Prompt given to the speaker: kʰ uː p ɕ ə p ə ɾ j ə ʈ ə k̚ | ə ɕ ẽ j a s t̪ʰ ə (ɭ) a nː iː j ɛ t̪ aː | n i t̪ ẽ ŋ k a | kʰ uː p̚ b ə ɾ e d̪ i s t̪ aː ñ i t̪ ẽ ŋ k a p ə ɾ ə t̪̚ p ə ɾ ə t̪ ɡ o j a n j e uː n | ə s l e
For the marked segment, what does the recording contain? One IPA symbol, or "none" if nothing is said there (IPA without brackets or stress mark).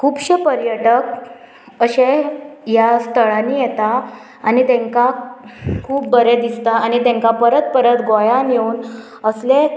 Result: ɭ